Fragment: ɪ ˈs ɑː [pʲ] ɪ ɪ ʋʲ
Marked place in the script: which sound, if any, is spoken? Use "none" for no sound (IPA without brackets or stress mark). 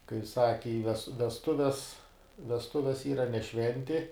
kʲ